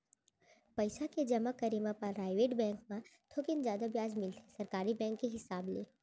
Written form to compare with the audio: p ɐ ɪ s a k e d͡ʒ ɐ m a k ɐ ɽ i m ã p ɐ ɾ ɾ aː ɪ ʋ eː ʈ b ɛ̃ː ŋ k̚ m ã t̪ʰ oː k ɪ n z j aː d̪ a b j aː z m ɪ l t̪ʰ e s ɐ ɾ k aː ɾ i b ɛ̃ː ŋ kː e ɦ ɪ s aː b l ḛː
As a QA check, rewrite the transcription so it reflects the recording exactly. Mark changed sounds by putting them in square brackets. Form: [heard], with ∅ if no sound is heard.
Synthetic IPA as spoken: p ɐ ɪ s a k e d͡ʒ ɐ m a k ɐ [ɾ] i m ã p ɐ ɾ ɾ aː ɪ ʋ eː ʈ b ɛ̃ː ŋ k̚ m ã t̪ʰ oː k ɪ n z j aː d̪ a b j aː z m ɪ l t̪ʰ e s ɐ ɾ k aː ɾ i b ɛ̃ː ŋ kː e ɦ ɪ s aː b l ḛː